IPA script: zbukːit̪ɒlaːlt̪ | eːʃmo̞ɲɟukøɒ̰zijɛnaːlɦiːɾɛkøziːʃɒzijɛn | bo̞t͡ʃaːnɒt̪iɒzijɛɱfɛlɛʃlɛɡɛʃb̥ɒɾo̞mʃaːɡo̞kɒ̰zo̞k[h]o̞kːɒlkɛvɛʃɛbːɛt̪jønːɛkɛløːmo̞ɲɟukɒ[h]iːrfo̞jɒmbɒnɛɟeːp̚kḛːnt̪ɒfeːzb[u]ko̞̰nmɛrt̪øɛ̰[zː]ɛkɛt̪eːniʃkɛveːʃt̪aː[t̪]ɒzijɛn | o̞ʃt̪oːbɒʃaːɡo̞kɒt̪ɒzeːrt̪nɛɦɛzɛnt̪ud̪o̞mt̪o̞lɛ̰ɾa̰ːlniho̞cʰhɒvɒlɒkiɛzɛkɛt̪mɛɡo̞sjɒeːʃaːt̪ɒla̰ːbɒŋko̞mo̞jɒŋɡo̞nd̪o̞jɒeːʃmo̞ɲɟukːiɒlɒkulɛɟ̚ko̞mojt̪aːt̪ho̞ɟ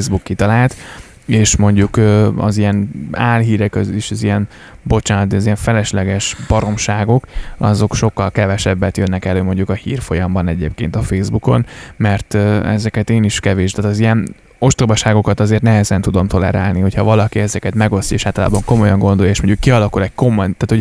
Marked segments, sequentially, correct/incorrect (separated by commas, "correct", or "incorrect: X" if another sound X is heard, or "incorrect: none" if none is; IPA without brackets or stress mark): incorrect: ʃ, correct, correct, incorrect: z, correct